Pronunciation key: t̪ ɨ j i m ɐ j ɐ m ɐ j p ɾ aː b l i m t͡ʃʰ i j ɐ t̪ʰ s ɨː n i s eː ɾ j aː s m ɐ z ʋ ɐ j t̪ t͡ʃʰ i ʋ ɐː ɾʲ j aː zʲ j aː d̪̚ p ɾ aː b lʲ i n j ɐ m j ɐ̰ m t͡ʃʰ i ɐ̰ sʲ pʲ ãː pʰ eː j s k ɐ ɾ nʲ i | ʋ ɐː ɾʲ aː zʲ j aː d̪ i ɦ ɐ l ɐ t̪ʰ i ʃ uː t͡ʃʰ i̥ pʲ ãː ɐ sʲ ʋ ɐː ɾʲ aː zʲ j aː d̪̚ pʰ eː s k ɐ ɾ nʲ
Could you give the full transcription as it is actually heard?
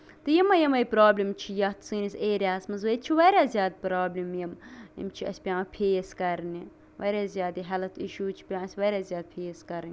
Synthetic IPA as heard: t̪ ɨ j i m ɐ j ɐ m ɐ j p ɾ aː b l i m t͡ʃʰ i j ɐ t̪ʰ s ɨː n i s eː ɾ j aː s m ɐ z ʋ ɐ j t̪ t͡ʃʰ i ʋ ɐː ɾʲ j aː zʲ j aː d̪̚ p ɾ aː b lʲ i m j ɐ m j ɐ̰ m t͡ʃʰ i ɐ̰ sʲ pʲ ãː pʰ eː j s k ɐ ɾ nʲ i | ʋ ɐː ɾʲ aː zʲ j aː d̪ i ɦ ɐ l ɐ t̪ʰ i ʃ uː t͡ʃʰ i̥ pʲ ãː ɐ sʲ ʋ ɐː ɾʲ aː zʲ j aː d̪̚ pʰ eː s k ɐ ɾ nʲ

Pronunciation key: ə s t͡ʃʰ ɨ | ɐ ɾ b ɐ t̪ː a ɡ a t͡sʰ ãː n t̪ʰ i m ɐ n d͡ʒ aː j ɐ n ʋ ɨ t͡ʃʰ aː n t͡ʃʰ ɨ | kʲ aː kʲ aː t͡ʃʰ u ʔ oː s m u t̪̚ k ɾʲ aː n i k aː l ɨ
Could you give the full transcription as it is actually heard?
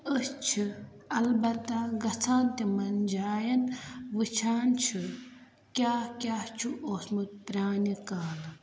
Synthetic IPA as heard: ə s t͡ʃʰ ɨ | ɐ l b ɐ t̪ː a ɡ ɐ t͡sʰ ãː n t̪ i m ɐ n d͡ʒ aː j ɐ n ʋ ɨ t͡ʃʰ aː n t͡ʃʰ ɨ | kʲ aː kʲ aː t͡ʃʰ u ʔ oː s m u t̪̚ p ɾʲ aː n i k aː l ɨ

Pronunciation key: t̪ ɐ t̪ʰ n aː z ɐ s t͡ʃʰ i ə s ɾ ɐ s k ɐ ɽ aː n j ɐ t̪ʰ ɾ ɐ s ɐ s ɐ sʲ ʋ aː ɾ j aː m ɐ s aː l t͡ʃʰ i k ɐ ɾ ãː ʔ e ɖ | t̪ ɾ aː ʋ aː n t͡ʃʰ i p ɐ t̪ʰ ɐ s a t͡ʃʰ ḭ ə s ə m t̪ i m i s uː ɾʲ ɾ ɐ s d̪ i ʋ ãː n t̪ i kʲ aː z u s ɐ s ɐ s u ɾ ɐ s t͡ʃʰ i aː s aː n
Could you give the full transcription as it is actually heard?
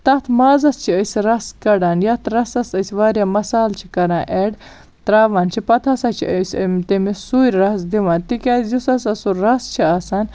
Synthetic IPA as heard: t̪ ɐ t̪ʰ m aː z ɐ s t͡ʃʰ i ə s ɾ ɐ s k ɐ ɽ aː n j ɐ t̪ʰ ɾ ɐ s ɐ s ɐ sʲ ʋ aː ɾ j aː m ɐ s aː l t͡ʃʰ i k ɐ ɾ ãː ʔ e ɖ | t̪ ɾ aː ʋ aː n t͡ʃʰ i p ɐ t̪ʰ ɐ s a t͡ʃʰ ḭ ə s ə m t̪ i m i s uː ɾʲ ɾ ɐ s d̪ i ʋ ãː n t̪ i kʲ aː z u s ɐ s ɐ s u ɾ ɐ s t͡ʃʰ i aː s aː n

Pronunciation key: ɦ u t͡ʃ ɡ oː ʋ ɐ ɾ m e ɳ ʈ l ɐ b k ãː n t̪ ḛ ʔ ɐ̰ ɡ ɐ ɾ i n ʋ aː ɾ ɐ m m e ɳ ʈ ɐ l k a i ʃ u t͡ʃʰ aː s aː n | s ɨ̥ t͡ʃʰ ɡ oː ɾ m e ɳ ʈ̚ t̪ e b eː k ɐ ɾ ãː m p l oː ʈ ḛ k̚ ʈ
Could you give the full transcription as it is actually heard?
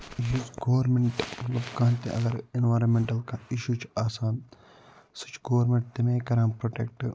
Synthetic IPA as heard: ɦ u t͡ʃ ɡ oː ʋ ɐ ɾ m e ɳ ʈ l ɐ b k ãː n t̪ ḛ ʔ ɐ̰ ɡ ɐ ɾ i n ʋ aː ɾ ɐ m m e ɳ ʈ ɐ l k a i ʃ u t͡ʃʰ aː s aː n | s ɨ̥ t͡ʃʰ ɡ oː ɾ m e ɳ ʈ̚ t̪ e m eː k ɐ ɾ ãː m p ɾ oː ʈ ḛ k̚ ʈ

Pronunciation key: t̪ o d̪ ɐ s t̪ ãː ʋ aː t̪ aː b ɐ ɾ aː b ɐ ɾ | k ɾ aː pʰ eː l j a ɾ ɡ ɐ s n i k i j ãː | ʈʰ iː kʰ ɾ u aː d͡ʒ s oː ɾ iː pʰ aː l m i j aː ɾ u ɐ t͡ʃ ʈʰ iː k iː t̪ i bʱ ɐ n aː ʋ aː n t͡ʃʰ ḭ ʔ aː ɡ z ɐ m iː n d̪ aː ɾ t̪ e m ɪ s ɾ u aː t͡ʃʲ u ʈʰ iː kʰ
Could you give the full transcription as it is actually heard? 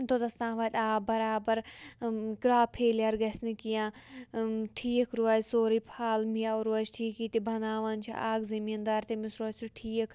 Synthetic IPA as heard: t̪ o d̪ ɐ s t̪ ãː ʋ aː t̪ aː b ɐ ɾ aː b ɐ ɾ | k ɾ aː pʰ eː l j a ɾ ɡ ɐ s n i k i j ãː | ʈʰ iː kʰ ɾ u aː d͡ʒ s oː ɾ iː pʰ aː l m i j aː ɾ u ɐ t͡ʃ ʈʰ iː k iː t̪ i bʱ ɐ n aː ʋ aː n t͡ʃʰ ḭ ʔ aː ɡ z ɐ m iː n d̪ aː ɾ t̪ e m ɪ s ɾ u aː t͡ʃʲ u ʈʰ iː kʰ

